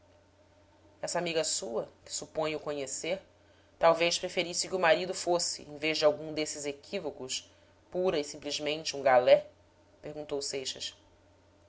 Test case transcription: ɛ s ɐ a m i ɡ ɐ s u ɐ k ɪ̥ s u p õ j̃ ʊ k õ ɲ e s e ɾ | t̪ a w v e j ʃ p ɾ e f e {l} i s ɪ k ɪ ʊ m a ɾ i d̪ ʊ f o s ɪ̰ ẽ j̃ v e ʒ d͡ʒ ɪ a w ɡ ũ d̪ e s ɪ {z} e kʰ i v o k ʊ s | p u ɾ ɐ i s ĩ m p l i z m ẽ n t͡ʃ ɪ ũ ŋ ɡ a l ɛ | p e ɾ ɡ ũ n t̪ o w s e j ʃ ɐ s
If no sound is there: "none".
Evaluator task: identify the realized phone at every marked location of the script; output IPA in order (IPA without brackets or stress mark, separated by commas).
ɾ, z